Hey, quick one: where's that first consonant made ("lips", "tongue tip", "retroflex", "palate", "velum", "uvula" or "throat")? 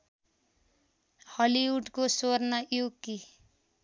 throat